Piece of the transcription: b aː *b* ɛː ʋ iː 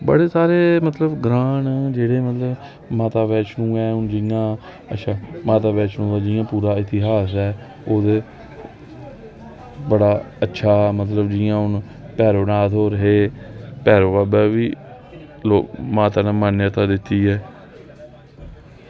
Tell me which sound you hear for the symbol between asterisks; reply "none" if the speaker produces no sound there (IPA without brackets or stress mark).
b